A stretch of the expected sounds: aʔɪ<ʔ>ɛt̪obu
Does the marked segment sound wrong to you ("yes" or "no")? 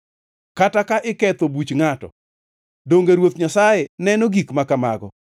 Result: yes